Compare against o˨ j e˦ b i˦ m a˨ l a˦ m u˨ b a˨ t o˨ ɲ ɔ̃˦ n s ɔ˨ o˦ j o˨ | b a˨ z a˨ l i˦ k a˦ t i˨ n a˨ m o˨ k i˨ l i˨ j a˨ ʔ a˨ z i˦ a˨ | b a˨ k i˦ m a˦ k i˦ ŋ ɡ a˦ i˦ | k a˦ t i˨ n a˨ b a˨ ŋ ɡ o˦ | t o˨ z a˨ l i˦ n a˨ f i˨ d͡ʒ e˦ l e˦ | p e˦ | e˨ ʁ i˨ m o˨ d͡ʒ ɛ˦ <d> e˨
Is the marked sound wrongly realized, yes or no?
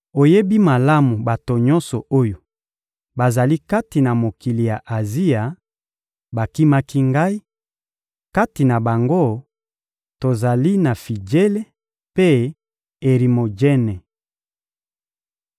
yes